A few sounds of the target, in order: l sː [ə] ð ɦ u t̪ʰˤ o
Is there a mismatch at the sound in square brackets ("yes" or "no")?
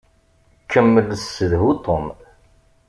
no